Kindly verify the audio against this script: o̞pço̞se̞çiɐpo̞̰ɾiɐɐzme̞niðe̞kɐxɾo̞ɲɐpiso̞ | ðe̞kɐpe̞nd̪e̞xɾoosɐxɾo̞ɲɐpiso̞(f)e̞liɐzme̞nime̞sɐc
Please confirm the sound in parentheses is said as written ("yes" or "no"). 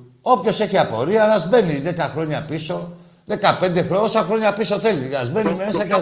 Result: no